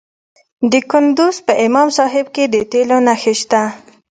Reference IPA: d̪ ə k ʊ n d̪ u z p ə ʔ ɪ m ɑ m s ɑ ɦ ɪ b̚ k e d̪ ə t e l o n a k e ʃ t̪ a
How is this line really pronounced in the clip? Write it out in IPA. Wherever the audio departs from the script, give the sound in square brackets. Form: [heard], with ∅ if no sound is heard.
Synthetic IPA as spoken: d̪ ə k ʊ n d̪ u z p ə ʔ ɪ m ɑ m s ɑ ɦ ɪ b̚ k e d̪ ə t e l o n a [x] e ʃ t̪ a